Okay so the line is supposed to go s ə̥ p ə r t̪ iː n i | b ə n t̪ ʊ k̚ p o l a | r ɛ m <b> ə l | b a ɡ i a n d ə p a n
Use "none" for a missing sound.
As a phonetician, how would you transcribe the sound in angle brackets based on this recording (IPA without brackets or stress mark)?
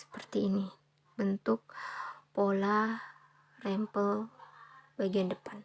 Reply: p